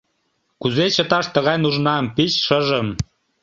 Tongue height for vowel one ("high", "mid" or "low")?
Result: high